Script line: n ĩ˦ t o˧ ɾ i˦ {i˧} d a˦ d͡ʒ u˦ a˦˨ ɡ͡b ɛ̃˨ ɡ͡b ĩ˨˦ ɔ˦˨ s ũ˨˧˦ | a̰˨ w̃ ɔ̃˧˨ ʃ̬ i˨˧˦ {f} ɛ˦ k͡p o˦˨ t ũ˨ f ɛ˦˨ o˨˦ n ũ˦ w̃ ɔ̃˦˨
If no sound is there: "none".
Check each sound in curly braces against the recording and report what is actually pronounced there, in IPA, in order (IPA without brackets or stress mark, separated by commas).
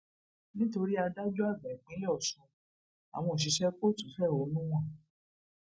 a˧, ʃ